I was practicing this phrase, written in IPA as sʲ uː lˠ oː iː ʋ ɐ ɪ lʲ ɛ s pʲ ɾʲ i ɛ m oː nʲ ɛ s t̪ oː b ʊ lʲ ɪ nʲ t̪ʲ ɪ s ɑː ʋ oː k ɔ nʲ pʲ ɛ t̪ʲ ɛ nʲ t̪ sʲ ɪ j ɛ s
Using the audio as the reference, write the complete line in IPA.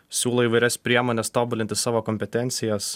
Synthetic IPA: sʲ uː lˠ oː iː ʋ ɐ ɪ ɾʲ ɛ s pʲ ɾʲ i ɛ m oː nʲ ɛ s t̪ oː b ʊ lʲ ɪ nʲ t̪ʲ ɪ s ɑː ʋ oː k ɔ mʲ pʲ ɛ t̪ʲ ɛ nʲ t̪ sʲ ɪ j ɛ s

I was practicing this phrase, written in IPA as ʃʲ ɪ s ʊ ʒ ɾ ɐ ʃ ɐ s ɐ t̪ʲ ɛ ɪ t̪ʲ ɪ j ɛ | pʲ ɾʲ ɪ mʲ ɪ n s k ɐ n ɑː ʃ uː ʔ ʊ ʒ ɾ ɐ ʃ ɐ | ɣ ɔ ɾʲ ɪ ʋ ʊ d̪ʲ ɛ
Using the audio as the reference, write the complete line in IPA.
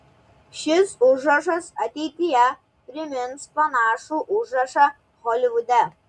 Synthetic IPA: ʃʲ ɪ s ʊ ʒ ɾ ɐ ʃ ɐ s ɐ t̪ʲ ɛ ɪ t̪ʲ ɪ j ɛ | pʲ ɾʲ ɪ mʲ ɪ n s p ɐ n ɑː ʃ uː ʔ ʊ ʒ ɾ ɐ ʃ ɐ | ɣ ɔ lʲ ɪ ʋ ʊ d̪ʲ ɛ

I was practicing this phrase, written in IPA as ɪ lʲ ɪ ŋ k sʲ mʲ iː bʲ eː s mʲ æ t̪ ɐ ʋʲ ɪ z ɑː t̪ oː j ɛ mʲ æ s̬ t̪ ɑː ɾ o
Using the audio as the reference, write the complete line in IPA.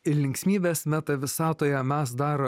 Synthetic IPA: ɪ lʲ ɪ ŋ k sʲ mʲ iː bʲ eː s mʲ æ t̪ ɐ ʋʲ ɪ s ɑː t̪ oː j ɛ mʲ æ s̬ d̪ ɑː ɾ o

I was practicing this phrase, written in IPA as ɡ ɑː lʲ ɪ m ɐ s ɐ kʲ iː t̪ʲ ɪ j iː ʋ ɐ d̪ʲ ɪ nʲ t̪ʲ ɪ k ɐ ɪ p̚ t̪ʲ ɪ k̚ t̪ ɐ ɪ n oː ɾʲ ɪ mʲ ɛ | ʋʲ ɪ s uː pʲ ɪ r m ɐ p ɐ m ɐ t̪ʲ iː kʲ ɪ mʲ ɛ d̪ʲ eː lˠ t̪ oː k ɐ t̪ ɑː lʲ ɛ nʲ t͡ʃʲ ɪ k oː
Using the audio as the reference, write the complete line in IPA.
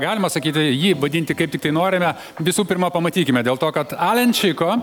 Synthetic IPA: ɡ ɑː lʲ ɪ m ɐ s ɐ kʲ iː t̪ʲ ɪ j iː ʋ ɐ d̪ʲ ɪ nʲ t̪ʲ ɪ k ɐ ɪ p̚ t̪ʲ ɪ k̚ t̪ ɐ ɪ n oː ɾʲ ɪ mʲ ɛ | ʋʲ ɪ s uː pʲ ɪ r m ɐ p ɐ m ɐ t̪ʲ iː kʲ ɪ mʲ ɛ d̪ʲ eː lˠ t̪ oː k ɐ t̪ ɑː lʲ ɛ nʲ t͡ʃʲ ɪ k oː

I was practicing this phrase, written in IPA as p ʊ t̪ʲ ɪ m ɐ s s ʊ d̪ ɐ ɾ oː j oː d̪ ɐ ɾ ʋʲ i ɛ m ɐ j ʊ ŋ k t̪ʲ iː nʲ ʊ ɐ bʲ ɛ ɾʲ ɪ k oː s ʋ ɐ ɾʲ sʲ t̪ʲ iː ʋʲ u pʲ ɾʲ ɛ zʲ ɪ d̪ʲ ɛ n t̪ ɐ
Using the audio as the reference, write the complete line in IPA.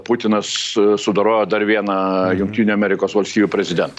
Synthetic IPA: p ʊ t̪ʲ ɪ n ɐ s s ʊ d̪ ɐ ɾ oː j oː d̪ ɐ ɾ ʋʲ i ɛ n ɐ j ʊ ŋ k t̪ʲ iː nʲ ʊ ɐ mʲ ɛ ɾʲ ɪ k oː s ʋ ɐ lʲ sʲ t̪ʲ iː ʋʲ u pʲ ɾʲ ɛ zʲ ɪ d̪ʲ ɛ n t̪ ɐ

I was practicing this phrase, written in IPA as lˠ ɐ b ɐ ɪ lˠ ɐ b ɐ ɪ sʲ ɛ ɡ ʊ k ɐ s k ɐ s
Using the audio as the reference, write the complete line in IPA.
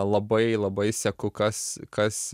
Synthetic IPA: lˠ ɐ b ɐ ɪ lˠ ɐ b ɐ ɪ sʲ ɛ k ʊ k ɐ s k ɐ s

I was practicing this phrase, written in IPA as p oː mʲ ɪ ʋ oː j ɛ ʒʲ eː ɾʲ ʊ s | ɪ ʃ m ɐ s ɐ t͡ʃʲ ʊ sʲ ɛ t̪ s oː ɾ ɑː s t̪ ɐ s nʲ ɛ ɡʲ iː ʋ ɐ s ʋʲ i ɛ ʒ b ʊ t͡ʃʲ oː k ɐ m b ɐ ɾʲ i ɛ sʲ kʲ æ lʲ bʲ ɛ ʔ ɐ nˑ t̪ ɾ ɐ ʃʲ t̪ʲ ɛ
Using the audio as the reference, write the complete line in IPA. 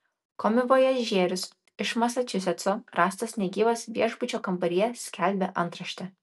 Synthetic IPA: k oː mʲ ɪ ʋ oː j ɛ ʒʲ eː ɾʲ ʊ s | ɪ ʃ m ɐ s ɐ t͡ʃʲ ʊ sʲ ɛ t̪ s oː ɾ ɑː s t̪ ɐ s nʲ ɛ ɡʲ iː ʋ ɐ s ʋʲ i ɛ ʒ b ʊ t͡ʃʲ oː k ɐ m b ɐ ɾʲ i ɛ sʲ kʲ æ lʲ bʲ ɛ ʔ ɐ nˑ t̪ ɾ ɐ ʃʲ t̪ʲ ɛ

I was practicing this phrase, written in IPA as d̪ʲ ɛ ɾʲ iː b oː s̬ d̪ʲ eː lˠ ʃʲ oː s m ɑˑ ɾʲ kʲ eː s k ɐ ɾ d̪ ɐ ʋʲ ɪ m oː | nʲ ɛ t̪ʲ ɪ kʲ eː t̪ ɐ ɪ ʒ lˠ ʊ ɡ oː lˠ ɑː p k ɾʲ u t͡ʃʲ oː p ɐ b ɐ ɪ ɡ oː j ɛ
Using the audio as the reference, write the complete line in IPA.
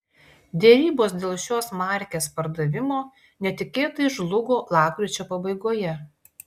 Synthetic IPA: d̪ʲ ɛ ɾʲ iː b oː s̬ d̪ʲ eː lˠ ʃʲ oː s m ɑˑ ɾʲ kʲ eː s p ɐ ɾ d̪ ɐ ʋʲ ɪ m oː | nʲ ɛ t̪ʲ ɪ kʲ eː t̪ ɐ ɪ ʒ lˠ ʊ ɡ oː lˠ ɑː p k ɾʲ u t͡ʃʲ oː p ɐ b ɐ ɪ ɡ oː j ɛ

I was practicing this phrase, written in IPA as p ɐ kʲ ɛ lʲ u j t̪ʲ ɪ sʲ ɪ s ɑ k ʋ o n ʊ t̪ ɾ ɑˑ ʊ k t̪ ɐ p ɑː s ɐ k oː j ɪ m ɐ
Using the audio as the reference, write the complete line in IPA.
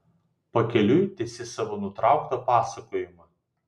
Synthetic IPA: p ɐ kʲ ɛ lʲ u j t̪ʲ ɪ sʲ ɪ s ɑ ʋ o n ʊ t̪ ɾ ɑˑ ʊ k t̪ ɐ p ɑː s ɐ k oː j ɪ m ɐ

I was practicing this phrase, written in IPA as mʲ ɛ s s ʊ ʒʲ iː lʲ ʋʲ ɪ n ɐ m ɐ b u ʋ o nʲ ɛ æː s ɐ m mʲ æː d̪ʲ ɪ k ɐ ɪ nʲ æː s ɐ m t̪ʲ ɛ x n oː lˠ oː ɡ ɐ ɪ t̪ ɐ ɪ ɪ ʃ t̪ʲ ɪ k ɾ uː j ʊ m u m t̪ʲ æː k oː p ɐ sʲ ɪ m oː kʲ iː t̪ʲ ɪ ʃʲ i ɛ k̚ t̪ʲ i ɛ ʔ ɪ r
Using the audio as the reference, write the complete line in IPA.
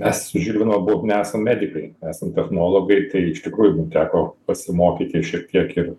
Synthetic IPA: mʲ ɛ s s ʊ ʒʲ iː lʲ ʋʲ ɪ n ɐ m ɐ b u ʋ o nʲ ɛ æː s ɐ m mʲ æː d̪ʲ ɪ k ɐ ɪ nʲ æː s ɐ m t̪ʲ ɛ x n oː lˠ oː ɡ ɐ ɪ t̪ ɐ ɪ ɪ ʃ t̪ʲ ɪ k ɾ uː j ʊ m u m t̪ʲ æː k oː p ɐ sʲ ɪ m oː kʲ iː t̪ʲ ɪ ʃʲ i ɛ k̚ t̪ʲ i ɛ k ɪ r

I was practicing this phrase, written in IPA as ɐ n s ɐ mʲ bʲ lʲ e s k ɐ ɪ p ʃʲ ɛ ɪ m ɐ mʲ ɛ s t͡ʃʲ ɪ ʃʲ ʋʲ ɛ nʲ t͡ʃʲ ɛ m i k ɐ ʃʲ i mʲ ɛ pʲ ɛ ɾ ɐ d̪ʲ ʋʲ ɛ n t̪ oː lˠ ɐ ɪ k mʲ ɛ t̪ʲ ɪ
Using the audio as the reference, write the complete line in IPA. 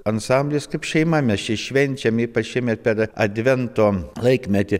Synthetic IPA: ɐ n s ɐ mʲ bʲ lʲ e s k ɐ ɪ p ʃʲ ɛ ɪ m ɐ mʲ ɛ s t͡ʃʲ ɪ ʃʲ ʋʲ ɛ nʲ t͡ʃʲ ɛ m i p ɐ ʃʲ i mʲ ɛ pʲ ɛ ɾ ɐ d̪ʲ ʋʲ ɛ n t̪ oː lˠ ɐ ɪ k mʲ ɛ t̪ʲ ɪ

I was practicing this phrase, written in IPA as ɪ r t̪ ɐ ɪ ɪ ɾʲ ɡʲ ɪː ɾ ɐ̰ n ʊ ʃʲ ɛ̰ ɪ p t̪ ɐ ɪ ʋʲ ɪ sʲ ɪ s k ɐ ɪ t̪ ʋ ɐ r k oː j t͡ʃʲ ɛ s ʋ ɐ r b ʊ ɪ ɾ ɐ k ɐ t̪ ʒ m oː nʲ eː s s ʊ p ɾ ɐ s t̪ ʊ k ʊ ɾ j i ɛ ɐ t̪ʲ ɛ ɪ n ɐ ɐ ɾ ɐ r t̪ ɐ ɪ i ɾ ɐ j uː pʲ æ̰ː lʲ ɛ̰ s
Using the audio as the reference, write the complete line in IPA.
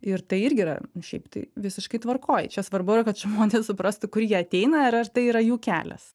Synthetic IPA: ɪ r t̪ ɐ ɪ ɪ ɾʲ ɡʲ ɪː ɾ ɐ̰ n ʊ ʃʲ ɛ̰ ɪ p t̪ ɐ ɪ ʋʲ ɪ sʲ ɪ ʃ k ɐ ɪ t̪ ʋ ɐ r k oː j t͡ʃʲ ɛ s ʋ ɐ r b ʊ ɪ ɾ ɐ k ɐ t̪ ʒ m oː nʲ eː s s ʊ p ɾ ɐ s t̪ ʊ k ʊ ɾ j i ɛ ɐ t̪ʲ ɛ ɪ n ɐ ɐ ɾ ɐ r t̪ ɐ ɪ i ɾ ɐ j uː kʲ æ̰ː lʲ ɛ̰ s

